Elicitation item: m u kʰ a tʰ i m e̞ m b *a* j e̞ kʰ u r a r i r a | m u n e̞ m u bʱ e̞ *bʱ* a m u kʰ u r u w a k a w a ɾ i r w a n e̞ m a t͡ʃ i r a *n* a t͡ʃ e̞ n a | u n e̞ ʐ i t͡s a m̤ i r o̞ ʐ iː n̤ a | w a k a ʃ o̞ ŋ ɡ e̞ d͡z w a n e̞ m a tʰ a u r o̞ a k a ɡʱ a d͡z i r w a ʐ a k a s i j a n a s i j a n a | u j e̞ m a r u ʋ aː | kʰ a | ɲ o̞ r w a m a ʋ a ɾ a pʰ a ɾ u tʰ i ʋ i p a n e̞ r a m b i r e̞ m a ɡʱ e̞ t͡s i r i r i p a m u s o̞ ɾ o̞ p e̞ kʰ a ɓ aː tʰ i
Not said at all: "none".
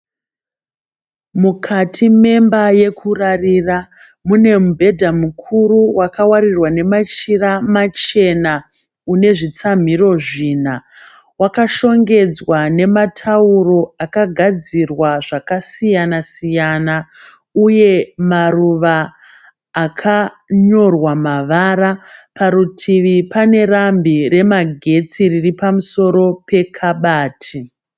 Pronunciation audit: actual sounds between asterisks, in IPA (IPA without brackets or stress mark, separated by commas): a, dʱ, m